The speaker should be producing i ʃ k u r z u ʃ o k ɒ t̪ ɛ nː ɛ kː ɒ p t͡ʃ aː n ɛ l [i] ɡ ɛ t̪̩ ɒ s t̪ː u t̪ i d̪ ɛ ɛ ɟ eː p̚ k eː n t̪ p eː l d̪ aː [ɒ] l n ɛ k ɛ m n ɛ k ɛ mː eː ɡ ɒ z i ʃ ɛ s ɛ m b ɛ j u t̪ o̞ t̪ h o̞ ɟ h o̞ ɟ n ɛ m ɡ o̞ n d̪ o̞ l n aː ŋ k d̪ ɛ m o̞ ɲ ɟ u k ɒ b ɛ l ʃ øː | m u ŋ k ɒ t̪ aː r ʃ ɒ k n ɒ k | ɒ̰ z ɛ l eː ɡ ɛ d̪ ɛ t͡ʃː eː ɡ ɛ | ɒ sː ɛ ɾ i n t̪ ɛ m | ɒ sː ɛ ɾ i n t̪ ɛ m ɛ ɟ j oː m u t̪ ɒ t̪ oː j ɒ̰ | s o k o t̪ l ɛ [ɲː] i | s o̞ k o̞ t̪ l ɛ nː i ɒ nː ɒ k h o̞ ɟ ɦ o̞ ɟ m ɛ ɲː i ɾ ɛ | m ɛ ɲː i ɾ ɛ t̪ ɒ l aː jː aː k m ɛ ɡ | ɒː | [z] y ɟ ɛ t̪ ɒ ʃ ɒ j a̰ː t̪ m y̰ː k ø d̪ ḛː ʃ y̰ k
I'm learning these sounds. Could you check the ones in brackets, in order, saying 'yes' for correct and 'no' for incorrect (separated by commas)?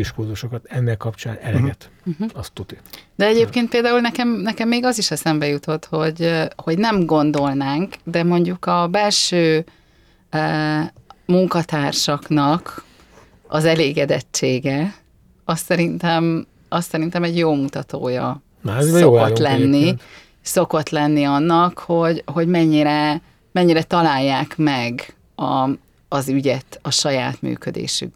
no, no, no, yes